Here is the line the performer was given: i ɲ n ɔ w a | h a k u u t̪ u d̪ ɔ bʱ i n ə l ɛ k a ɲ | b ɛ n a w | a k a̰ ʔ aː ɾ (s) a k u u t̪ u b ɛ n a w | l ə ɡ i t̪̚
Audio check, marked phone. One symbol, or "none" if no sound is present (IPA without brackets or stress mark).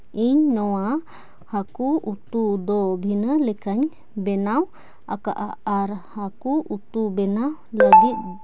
h